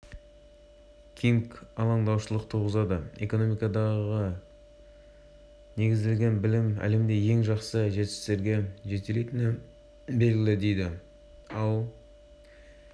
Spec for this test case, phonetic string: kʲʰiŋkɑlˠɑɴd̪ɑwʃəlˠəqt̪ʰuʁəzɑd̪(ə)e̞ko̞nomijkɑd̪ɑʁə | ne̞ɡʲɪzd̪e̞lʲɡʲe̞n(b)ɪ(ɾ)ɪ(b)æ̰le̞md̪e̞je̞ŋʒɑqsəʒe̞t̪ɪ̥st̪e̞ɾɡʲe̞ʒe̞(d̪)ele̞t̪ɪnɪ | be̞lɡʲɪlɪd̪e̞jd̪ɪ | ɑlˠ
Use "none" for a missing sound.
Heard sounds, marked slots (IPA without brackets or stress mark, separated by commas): ə, b, l, m, t̪